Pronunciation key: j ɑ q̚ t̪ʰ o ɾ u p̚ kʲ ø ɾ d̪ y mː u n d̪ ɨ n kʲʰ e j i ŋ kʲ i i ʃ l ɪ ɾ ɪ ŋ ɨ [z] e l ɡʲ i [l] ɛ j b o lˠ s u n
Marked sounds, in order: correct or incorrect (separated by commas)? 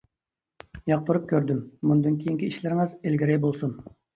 correct, incorrect